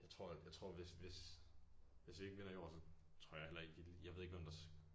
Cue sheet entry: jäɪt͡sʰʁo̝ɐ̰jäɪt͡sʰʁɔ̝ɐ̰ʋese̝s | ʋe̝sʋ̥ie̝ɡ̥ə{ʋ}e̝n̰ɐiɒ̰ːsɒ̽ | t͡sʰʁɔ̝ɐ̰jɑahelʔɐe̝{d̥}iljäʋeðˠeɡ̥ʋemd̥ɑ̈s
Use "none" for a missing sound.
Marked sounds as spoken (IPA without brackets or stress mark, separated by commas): ʋ, ɡ̥